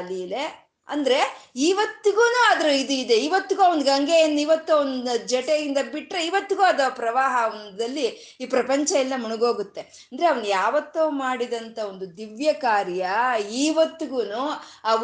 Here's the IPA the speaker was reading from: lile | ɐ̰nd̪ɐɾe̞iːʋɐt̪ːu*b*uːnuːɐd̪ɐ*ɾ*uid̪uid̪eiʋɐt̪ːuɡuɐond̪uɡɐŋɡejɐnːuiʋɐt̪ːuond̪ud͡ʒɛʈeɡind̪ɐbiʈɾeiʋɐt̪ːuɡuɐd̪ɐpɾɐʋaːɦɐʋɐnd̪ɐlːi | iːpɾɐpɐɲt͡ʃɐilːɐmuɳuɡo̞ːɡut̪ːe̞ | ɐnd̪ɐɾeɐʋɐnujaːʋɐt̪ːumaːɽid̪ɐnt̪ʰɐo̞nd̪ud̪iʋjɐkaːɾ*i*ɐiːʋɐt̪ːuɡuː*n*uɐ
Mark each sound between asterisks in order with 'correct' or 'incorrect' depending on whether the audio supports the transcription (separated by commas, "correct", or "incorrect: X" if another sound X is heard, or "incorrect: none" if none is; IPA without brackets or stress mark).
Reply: incorrect: ɡ, correct, incorrect: j, correct